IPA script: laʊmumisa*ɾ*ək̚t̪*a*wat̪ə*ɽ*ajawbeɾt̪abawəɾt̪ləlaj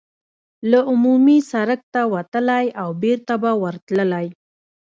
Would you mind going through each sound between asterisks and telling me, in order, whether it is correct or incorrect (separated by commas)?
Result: correct, correct, incorrect